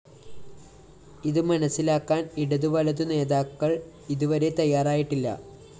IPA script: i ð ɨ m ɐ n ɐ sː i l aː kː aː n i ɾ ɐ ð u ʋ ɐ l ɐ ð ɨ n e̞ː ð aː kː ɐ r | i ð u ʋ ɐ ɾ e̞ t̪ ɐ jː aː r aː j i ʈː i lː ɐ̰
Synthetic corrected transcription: i ð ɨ m ɐ n ɐ sː i l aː kː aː n i ɽ ɐ ð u ʋ ɐ l ɐ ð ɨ n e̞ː ð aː kː ɐ ɭ | i ð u ʋ ɐ ɾ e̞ t̪ ɐ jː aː r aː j i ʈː i lː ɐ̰

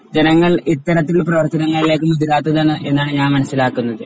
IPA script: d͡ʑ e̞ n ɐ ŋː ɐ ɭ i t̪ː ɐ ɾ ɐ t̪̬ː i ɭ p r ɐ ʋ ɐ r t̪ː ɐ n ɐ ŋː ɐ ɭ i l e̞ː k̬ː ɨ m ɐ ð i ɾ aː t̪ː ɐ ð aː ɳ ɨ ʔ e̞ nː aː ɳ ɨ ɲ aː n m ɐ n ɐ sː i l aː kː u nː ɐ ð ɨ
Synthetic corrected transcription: d͡ʑ e̞ n ɐ ŋː ɐ ɭ i t̪ː ɐ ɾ ɐ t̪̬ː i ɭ p r ɐ ʋ ɐ r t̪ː ɐ n ɐ ŋː ɐ ɭ i l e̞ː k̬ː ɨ m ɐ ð i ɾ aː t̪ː ɐ ð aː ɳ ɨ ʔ e̞ nː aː ɳ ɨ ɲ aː n m ɐ n ɐ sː i l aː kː u nː ɐ ð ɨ

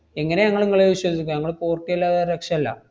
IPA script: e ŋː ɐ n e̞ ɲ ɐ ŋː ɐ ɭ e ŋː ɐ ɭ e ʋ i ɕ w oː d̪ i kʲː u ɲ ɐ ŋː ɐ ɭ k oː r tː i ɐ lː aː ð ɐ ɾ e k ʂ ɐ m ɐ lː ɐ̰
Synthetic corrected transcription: e ŋː ɐ n e̞ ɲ ɐ ŋː ɐ ɭ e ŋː ɐ ɭ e ʋ i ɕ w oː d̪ i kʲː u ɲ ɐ ŋː ɐ ɭ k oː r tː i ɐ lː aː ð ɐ ɾ e k ʂ ɐ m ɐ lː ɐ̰

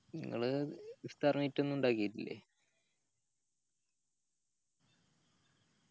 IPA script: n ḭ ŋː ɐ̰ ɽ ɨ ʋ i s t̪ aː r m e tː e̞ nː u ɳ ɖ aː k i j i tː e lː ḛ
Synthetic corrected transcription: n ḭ ŋː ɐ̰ ɭ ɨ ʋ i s t̪ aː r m i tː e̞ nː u ɳ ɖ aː k i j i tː i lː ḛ

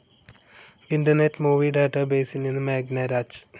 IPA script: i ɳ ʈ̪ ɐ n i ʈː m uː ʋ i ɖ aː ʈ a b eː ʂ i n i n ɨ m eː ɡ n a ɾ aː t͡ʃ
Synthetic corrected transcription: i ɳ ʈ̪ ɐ n e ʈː m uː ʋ i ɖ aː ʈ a b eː s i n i n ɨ m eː ɡ n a ɾ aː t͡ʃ

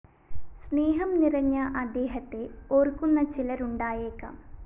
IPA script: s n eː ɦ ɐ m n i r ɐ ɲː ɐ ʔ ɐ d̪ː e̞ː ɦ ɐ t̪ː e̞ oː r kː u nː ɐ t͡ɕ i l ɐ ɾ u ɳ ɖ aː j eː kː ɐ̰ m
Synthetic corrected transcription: s n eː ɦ ɐ m n i r ɐ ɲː ɐ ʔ ɐ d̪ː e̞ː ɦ ɐ t̪ː e̞ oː r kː u nː ɐ t͡ɕ i l ɐ ɾ u ɳ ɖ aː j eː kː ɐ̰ m

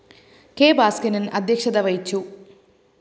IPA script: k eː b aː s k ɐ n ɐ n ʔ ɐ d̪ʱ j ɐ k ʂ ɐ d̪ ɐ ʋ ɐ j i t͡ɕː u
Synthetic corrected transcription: k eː b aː s k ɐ n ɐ n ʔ ɐ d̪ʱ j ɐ k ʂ ɐ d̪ ɐ ʋ ɐ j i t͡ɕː u

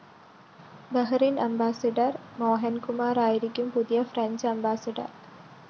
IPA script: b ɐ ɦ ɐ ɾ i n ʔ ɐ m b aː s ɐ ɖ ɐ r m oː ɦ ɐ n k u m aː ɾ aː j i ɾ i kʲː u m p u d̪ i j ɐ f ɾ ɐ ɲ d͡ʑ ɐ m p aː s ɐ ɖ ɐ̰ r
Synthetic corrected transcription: b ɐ ɦ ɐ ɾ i n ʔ ɐ m b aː s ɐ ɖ ɐ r m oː ɦ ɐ n k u m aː ɾ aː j i ɾ i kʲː u m p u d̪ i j ɐ f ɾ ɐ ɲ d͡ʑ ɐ m b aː s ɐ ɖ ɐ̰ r

